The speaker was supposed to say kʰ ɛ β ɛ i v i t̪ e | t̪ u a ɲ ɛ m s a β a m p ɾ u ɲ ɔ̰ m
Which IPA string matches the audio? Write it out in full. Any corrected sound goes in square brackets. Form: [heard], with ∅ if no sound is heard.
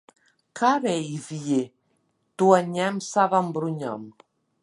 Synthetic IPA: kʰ [a] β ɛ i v i [∅] e | t̪ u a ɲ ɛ m s a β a m [b] ɾ u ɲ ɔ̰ m